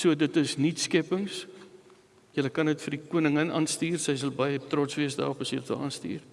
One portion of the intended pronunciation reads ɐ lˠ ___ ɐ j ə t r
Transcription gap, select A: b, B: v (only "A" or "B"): A